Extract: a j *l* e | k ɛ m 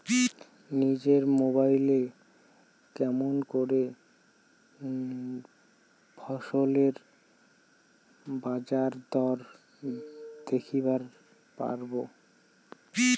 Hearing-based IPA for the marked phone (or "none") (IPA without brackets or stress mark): l